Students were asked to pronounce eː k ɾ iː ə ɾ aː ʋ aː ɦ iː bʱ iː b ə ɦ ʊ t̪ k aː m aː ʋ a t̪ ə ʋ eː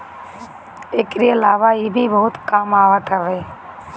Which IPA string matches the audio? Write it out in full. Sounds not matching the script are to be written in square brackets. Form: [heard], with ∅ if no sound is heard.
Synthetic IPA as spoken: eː k ɾ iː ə [l] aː ʋ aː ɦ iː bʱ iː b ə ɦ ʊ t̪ k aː m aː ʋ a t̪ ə ʋ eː